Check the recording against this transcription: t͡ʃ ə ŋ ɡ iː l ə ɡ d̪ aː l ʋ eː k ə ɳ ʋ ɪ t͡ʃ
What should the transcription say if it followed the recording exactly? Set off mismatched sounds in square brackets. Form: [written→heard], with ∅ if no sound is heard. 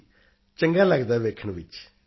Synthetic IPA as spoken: t͡ʃ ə ŋ ɡ [iː→aː] l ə ɡ d̪ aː [l→∅] ʋ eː [k→kʰ] ə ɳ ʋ ɪ t͡ʃ